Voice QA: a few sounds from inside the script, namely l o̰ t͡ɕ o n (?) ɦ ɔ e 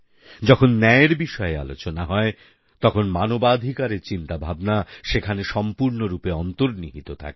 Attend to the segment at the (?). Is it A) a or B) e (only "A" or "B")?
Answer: A